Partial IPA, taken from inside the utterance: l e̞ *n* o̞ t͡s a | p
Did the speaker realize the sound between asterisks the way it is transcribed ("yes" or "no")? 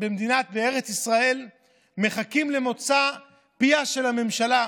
no